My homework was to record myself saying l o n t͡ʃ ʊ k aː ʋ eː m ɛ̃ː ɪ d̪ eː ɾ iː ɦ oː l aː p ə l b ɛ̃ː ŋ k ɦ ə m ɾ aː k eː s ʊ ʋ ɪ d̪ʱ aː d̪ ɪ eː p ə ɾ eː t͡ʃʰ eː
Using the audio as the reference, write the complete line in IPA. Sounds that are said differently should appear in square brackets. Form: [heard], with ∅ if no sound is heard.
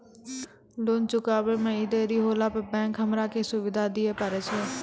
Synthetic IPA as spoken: l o n t͡ʃ ʊ k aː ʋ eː m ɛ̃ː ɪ d̪ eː ɾ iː ɦ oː l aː p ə [∅] b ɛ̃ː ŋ k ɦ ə m ɾ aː k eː s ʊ ʋ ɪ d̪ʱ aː d̪ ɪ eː p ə ɾ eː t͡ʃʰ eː